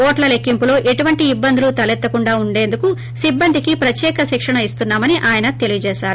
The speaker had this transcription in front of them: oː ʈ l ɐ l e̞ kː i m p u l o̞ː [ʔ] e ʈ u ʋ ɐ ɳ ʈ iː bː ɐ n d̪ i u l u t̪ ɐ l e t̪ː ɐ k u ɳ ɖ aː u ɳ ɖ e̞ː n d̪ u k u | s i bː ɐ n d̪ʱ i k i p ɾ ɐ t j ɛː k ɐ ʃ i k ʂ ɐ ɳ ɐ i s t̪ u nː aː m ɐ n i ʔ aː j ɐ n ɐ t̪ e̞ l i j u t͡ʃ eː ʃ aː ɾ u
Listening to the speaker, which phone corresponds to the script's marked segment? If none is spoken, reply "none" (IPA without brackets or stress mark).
ʔ